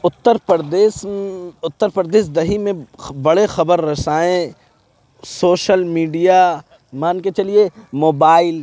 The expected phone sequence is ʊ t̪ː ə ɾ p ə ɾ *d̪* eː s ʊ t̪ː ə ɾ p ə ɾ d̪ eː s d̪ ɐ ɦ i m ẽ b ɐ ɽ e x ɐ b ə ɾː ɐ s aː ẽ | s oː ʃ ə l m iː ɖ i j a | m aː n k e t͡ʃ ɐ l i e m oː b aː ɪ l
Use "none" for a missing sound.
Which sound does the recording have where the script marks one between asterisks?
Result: d̪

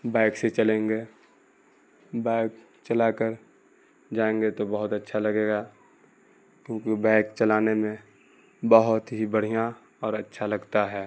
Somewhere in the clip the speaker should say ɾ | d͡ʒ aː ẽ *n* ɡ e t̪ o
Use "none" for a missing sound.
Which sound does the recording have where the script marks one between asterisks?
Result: ŋ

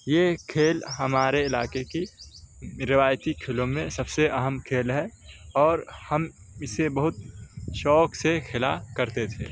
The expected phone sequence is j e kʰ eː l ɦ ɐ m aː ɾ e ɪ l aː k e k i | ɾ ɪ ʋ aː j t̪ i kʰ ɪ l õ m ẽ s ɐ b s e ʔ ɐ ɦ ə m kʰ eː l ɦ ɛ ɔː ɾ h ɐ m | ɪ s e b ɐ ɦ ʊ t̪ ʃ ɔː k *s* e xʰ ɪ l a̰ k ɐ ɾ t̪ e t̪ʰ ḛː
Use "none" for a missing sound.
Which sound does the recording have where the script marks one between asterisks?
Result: s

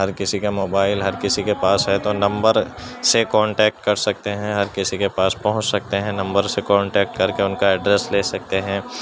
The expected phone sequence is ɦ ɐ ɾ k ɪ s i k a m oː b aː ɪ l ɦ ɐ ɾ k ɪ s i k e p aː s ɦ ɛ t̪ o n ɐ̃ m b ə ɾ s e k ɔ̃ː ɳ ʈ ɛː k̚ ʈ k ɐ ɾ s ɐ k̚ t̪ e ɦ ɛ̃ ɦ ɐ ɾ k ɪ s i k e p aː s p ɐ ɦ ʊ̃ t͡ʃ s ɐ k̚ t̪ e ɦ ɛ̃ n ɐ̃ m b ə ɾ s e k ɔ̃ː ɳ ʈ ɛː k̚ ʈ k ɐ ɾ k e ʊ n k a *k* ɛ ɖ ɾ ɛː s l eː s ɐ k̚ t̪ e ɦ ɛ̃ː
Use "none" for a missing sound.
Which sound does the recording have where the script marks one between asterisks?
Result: none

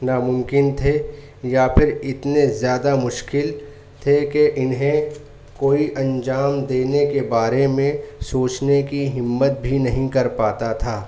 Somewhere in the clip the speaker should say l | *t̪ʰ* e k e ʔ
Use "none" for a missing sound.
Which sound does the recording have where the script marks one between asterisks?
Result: t̪ʰ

